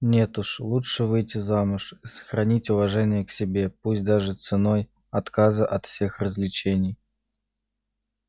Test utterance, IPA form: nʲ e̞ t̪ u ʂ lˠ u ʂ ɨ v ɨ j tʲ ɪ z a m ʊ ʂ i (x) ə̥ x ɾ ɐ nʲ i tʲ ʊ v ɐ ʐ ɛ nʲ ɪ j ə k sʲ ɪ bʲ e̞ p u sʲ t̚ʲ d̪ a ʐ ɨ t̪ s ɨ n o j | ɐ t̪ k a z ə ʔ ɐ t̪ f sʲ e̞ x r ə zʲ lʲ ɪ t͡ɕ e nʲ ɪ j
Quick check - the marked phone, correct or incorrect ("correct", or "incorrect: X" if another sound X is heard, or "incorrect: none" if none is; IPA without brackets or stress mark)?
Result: incorrect: s